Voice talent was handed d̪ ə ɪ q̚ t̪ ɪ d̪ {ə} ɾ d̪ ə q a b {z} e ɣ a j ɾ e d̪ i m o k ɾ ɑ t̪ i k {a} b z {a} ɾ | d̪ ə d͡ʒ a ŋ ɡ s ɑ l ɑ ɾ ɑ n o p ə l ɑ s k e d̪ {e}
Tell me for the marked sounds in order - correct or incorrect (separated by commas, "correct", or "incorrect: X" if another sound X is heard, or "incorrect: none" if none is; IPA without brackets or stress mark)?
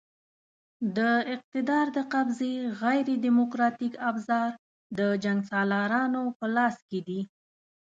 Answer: incorrect: ɑ, correct, correct, incorrect: ɑ, incorrect: i